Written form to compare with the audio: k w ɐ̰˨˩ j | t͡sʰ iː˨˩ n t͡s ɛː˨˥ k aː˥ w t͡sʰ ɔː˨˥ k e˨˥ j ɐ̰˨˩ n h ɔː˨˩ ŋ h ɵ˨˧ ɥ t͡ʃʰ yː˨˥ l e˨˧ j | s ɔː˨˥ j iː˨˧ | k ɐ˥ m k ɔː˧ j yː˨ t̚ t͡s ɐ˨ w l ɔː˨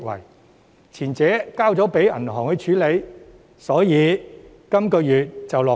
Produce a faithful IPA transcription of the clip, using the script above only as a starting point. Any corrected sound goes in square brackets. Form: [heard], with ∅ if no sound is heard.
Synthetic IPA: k w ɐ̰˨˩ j | t͡sʰ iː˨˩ n t͡s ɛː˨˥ k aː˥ w [t͡s] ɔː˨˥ [p] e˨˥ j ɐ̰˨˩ n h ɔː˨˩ ŋ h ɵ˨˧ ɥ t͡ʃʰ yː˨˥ l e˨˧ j | s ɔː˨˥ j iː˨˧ | k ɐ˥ m k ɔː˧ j yː˨ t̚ t͡s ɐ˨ w l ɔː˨